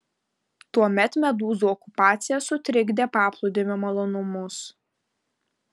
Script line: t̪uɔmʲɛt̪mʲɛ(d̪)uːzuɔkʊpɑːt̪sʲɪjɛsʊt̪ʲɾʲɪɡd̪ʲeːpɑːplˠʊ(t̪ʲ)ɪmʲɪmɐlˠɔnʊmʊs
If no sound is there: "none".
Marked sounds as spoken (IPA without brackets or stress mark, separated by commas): d̪, d̪ʲ